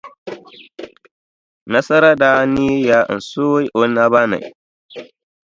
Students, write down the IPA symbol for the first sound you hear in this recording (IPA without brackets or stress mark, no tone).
n